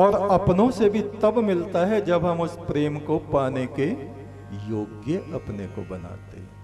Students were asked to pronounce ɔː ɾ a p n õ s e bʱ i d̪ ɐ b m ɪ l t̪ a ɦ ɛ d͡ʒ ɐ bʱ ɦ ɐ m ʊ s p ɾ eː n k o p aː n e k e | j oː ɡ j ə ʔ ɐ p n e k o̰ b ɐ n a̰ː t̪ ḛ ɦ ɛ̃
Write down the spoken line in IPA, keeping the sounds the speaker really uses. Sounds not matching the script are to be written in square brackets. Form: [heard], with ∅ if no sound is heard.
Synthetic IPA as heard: ɔː ɾ [ɐ] p n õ s e bʱ i [t̪] ɐ b m ɪ l t̪ a ɦ ɛ d͡ʒ ɐ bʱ ɦ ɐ m ʊ s p ɾ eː [m] k o p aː n e k e | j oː ɡ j ə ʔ ɐ p n e k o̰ b ɐ n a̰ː t̪ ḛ ɦ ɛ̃

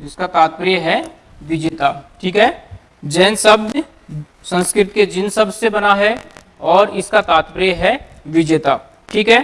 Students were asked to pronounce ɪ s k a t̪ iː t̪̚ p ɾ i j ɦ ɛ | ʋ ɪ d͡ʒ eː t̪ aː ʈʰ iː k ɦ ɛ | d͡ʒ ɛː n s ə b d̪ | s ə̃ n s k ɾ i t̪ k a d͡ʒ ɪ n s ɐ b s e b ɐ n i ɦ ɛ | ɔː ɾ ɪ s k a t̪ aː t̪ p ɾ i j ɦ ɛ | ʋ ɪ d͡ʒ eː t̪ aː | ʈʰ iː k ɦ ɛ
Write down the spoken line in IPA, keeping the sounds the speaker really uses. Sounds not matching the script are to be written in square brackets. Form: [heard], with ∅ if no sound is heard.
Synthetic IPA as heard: ɪ s k a t̪ [aː] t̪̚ p ɾ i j ɦ ɛ | ʋ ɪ d͡ʒ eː t̪ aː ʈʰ iː k ɦ ɛ | d͡ʒ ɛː n s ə b d̪ | s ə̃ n s k ɾ [ɪ] t̪ k [e] d͡ʒ ɪ n s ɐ b s e b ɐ n [a] ɦ ɛ | ɔː ɾ ɪ s k a t̪ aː t̪ p ɾ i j ɦ ɛ | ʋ ɪ d͡ʒ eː t̪ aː | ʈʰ iː k ɦ ɛ

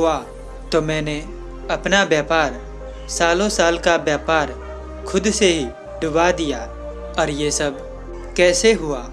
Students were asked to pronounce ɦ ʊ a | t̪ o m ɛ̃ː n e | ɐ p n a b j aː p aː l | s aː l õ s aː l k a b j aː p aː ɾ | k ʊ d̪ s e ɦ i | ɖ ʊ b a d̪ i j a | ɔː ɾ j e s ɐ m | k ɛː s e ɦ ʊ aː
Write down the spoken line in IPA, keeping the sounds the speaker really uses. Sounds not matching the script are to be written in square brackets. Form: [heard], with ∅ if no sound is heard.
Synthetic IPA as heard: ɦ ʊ a | t̪ o m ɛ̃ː n e | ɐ p n a b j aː p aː [ɾ] | s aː l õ s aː l k a b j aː p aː ɾ | [kʰ] ʊ d̪ s e ɦ i | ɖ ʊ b a d̪ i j a | ɔː ɾ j e s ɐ [b] | k ɛː s e ɦ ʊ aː

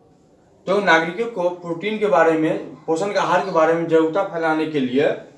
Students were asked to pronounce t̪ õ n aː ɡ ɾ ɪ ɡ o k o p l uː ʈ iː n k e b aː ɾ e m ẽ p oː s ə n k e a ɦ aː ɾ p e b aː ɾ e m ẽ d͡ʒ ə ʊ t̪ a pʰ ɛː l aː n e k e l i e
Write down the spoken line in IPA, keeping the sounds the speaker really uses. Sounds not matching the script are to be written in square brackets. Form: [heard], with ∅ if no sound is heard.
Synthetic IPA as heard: t̪ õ n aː ɡ ɾ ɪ [k] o k o p [ɾ] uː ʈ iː n k e b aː ɾ e m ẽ p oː s ə n k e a ɦ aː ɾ [k] e b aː ɾ e m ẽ d͡ʒ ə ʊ t̪ a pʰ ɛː l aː n e k e l i e

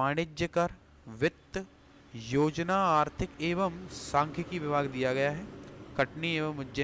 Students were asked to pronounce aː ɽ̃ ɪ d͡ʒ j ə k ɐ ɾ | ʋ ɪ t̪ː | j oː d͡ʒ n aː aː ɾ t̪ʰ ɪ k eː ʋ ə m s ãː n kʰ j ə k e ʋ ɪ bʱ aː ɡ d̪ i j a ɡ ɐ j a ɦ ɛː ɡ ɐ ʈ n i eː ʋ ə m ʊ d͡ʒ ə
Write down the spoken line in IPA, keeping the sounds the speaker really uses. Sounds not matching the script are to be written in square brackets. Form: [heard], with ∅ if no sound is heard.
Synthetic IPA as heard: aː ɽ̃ ɪ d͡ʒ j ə k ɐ ɾ | ʋ ɪ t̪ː | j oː d͡ʒ n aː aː ɾ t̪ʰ ɪ k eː ʋ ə m s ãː [ŋ] kʰ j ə k [i] ʋ ɪ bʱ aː ɡ d̪ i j a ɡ ɐ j a ɦ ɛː [k] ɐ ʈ n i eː ʋ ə m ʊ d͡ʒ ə

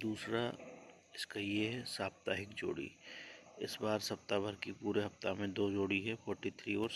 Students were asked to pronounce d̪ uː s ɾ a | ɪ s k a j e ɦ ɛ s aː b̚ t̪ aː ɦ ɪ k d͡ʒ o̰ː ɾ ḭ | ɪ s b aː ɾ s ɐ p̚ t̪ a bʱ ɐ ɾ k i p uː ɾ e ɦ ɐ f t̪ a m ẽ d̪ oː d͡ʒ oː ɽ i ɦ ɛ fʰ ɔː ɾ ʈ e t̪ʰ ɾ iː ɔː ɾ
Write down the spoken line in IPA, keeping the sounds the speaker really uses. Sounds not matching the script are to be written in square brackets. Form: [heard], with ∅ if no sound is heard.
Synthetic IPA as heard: d̪ uː s ɾ a | ɪ s k a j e ɦ ɛ s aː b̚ t̪ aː ɦ ɪ k d͡ʒ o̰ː [ɽ] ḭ | ɪ s b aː ɾ s ɐ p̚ t̪ a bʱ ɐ ɾ k i p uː ɾ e ɦ ɐ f t̪ a m ẽ d̪ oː d͡ʒ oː ɽ i ɦ ɛ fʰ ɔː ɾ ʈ [i] t̪ʰ ɾ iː ɔː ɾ

